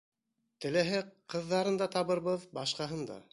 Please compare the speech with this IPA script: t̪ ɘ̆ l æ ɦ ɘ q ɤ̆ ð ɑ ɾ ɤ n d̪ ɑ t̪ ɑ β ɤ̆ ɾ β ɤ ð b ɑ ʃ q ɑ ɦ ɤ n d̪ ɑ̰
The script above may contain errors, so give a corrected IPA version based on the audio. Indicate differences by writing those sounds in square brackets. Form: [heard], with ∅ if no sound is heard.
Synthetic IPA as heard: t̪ ɘ̆ l æ ɦ ɘ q ɤ̆ [ðː] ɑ ɾ ɤ n d̪ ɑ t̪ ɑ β ɤ̆ ɾ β ɤ ð b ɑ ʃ q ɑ ɦ ɤ n d̪ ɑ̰